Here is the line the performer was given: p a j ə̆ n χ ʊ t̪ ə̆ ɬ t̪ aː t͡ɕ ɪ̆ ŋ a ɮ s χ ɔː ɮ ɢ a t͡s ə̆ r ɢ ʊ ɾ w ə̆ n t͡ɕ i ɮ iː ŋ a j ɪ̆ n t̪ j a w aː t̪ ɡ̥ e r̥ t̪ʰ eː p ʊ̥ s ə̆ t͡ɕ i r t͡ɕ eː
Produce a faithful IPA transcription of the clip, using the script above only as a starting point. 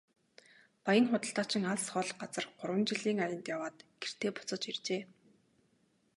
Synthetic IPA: p a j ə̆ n χ ʊ t̪ ə̆ ɬ t̪ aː t͡ɕ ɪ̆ ŋ a ɮ s χ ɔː ɮ ɢ a t͡s ə̆ r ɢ ʊ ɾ w ə̆ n t͡ɕ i ɮ iː ŋ a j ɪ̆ n t̪ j a w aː t̪ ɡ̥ e r̥ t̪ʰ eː p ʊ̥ t͡s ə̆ t͡ɕ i r t͡ɕ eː